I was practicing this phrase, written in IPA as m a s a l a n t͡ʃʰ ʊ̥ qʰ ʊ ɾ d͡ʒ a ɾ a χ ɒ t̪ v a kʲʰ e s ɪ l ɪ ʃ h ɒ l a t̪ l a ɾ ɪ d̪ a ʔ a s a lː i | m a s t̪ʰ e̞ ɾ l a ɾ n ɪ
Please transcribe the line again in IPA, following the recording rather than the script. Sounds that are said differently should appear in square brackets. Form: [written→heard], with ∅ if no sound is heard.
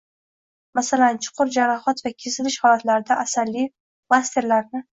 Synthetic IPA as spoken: m a s a l a n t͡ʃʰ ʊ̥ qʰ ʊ ɾ d͡ʒ a ɾ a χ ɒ t̪ v a kʲʰ e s ɪ l ɪ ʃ h ɒ l a t̪ l a ɾ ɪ d̪ a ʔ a s a lː i | m a s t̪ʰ e̞ ɾ l a ɾ n ɪ